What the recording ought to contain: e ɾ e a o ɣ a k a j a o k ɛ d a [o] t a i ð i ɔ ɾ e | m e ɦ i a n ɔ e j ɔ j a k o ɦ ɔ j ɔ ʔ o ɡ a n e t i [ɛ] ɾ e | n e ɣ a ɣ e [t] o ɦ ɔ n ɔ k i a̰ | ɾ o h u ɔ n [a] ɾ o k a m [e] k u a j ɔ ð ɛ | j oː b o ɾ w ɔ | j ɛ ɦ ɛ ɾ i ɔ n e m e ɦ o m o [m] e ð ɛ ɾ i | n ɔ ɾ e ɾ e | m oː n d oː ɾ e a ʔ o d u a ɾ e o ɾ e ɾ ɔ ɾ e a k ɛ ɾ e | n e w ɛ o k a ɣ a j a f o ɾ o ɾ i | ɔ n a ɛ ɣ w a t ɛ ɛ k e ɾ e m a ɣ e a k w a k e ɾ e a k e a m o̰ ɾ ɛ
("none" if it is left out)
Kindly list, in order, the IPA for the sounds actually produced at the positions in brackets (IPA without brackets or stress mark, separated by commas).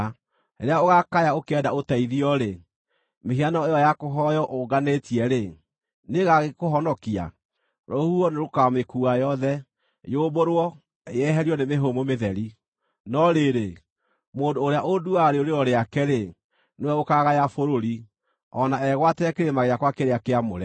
o, ɛ, k, e, e, m